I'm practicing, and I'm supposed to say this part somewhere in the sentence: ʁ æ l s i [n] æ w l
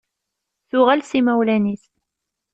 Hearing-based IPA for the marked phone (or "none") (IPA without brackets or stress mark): m